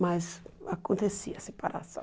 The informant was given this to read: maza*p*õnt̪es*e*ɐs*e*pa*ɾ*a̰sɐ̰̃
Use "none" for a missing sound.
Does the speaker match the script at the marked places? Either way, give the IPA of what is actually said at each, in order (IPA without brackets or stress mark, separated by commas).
k, i, e, ɾ